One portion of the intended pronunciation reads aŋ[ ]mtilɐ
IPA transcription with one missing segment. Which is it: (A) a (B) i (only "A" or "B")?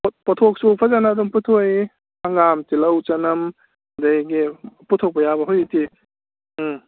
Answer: A